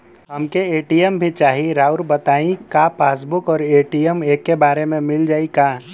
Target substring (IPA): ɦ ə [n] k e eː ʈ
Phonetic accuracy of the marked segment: incorrect: m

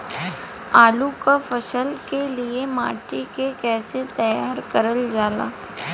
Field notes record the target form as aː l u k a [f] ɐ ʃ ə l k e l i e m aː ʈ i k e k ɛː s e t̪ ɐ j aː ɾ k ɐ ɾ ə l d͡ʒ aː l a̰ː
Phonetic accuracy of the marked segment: correct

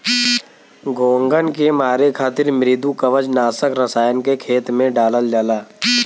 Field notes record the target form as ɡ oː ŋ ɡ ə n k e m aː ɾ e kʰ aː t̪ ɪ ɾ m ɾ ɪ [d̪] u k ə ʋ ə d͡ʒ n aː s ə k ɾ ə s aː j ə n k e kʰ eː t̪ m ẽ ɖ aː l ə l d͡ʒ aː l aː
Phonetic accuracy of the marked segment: correct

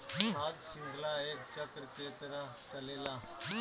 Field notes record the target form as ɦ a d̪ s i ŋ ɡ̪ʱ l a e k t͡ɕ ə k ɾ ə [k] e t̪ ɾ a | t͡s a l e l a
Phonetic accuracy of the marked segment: correct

